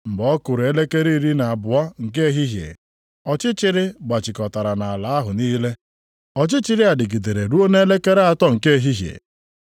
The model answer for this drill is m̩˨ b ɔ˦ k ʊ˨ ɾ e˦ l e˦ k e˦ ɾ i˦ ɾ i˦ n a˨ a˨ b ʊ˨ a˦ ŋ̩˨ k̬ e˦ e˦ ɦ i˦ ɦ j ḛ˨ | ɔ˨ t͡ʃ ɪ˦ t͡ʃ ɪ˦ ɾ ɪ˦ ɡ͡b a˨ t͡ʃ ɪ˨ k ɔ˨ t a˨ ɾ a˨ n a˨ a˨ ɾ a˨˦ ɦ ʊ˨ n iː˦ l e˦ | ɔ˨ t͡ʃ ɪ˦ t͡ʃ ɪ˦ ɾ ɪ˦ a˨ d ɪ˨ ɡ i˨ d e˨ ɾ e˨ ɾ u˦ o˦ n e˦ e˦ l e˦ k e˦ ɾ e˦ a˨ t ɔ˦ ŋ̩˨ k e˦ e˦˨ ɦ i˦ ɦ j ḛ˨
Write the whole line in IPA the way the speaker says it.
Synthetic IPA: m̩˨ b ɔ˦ k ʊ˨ ɾ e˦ l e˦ k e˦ ɾ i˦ ɾ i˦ n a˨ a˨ b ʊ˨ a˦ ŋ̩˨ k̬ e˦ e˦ ɦ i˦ ɦ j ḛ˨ | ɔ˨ t͡ʃ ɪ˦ t͡ʃ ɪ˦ ɾ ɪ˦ ɡ͡b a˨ t͡ʃ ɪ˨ k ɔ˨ t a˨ ɾ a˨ n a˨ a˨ l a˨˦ ɦ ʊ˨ n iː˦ l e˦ | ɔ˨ t͡ʃ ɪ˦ t͡ʃ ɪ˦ ɾ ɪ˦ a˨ d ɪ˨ ɡ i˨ d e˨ ɾ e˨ ɾ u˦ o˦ n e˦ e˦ l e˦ k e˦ ɾ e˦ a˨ t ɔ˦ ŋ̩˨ k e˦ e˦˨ ɦ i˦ ɦ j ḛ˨